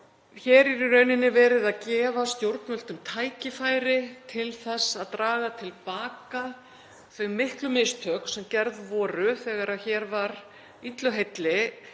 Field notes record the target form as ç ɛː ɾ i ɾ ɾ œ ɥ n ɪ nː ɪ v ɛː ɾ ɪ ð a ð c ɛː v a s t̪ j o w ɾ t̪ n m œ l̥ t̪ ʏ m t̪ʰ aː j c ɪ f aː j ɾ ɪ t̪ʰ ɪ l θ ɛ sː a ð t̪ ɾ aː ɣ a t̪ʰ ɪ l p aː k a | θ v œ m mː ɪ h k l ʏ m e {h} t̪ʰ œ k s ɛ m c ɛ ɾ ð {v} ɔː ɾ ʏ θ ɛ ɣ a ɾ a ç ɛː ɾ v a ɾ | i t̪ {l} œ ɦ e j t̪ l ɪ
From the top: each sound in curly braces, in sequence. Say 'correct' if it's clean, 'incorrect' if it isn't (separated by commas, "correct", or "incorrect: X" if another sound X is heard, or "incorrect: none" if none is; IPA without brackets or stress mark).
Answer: incorrect: s, correct, correct